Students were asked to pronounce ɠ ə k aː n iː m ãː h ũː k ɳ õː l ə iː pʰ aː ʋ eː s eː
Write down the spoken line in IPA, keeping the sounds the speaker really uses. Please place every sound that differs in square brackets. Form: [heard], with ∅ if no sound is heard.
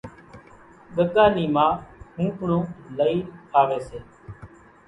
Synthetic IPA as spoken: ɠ ə k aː n iː m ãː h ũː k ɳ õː l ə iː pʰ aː ʋ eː s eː